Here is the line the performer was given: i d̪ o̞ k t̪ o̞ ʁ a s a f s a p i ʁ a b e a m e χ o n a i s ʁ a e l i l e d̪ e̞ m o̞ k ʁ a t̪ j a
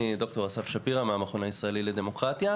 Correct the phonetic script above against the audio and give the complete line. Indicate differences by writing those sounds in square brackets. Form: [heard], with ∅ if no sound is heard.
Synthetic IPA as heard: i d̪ o̞ k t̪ o̞ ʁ a s a f [ʃ] a p i ʁ a [m] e a m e χ o n a i s ʁ a e l i l e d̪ e̞ m o̞ k ʁ a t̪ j a